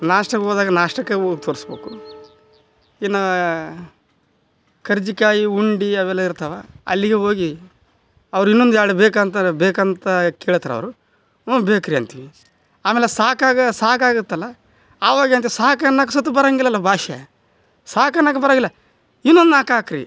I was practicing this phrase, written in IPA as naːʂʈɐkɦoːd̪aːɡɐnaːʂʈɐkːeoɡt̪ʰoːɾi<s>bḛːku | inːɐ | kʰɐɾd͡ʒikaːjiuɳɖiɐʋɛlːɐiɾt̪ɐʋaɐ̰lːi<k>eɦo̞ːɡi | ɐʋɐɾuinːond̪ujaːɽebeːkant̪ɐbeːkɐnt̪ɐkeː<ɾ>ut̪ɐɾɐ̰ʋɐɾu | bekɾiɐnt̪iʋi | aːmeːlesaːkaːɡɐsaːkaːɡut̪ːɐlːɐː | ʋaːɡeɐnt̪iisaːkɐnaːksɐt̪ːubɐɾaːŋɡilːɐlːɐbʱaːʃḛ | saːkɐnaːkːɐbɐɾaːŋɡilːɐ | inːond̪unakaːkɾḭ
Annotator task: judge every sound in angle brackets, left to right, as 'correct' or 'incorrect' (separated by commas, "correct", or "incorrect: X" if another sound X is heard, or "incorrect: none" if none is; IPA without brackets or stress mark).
correct, incorrect: ɡ, incorrect: ɭ